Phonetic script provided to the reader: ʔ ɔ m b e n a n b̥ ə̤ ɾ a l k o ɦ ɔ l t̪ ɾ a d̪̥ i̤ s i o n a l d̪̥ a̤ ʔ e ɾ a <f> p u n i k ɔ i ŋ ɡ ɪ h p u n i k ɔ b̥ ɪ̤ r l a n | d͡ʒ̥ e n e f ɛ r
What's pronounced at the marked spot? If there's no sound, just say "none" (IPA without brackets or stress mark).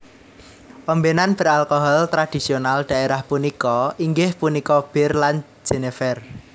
h